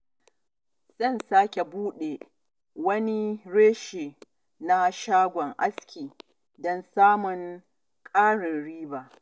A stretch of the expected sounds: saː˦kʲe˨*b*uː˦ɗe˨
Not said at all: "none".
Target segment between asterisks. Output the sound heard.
b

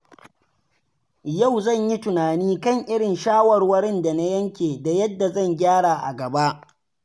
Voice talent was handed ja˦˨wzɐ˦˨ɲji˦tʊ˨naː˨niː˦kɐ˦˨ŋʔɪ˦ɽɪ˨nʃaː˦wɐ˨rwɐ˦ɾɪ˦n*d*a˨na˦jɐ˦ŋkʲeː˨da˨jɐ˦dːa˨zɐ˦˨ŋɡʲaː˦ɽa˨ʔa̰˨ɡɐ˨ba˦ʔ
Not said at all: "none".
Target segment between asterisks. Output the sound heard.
d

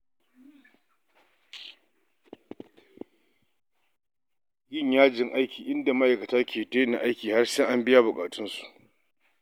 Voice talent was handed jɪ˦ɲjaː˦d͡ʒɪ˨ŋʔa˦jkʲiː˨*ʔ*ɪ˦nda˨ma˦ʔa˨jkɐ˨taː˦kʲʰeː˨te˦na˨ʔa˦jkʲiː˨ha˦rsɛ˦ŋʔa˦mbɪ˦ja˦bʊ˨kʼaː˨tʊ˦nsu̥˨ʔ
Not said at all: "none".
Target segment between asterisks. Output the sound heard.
ʔ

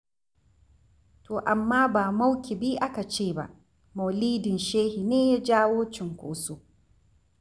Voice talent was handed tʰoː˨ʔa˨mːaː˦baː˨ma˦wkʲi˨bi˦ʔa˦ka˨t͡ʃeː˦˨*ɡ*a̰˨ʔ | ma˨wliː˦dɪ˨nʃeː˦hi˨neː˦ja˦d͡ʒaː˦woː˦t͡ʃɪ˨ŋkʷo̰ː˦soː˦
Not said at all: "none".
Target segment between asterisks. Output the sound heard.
b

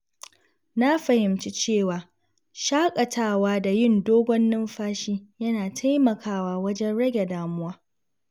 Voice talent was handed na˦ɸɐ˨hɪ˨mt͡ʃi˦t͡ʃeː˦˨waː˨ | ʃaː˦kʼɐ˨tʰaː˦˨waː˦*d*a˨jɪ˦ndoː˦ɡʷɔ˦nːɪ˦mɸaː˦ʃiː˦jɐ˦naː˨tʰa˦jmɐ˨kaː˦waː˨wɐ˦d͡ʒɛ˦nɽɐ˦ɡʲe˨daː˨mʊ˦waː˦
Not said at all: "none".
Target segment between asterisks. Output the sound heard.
d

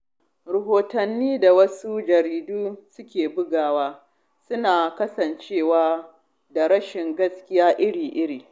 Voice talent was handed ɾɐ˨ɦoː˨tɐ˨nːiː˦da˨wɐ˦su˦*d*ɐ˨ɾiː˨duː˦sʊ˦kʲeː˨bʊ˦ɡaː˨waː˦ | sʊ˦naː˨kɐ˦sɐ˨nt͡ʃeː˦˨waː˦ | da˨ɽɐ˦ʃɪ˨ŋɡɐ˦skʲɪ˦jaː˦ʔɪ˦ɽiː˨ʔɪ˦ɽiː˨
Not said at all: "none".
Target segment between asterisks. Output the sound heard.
d͡ʒ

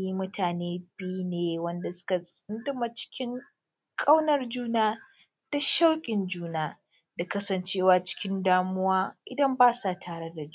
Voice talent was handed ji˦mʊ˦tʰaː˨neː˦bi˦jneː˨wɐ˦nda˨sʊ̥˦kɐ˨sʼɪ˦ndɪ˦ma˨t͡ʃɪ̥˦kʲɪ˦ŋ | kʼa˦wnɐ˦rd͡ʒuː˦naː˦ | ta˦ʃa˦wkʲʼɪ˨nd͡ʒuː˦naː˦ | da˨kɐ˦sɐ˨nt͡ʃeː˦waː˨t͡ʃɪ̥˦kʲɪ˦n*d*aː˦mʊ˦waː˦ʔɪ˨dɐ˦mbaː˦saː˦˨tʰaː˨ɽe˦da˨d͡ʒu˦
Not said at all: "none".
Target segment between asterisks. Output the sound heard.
d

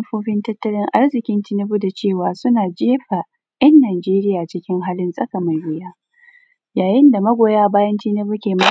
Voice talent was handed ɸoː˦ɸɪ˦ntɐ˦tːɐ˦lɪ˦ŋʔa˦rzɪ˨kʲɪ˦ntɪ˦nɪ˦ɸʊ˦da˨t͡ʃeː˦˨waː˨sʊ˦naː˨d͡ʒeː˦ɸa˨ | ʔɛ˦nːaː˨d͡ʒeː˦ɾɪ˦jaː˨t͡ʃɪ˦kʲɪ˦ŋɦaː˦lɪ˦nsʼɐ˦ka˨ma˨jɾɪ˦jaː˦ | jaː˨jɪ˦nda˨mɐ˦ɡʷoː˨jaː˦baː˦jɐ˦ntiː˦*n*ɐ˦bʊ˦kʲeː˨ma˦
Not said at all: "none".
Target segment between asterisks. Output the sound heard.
n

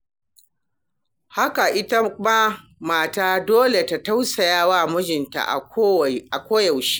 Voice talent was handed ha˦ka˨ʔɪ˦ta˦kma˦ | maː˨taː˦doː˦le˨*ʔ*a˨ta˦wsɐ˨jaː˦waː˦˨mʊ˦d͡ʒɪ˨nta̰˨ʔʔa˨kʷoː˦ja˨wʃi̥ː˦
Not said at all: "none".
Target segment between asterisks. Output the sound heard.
t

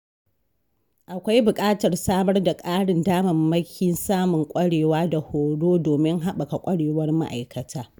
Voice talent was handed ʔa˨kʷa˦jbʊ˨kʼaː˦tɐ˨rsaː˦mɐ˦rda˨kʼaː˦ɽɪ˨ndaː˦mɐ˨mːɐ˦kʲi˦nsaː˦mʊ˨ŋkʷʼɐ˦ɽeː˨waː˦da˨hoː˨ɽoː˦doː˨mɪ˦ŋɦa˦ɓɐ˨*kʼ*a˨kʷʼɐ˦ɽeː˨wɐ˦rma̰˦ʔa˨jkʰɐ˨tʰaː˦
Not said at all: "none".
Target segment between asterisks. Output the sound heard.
k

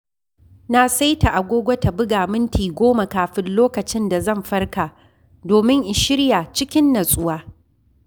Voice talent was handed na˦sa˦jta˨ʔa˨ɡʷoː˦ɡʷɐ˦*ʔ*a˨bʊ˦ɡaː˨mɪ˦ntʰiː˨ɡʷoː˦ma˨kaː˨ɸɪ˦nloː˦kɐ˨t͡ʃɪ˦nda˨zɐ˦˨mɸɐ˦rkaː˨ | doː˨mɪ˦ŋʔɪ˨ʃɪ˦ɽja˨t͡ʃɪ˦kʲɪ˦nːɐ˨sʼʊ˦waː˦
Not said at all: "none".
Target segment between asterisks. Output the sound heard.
t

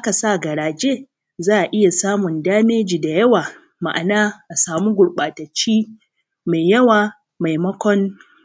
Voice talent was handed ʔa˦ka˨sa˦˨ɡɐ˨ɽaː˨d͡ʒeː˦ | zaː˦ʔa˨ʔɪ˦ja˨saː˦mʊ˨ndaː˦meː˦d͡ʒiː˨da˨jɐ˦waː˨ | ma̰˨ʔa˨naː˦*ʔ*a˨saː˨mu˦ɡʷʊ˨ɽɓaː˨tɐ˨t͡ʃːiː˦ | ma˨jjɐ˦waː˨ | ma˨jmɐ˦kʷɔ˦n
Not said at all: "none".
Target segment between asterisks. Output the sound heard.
ʔ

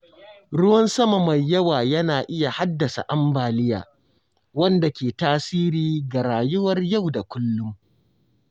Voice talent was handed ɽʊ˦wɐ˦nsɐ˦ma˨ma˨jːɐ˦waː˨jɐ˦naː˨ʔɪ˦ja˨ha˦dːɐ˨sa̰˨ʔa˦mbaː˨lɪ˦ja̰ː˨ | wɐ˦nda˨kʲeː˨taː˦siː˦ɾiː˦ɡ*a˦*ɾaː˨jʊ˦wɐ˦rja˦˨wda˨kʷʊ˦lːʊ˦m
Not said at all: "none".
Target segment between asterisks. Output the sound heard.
a˨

